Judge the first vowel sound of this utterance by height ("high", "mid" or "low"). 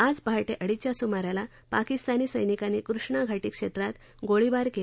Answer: low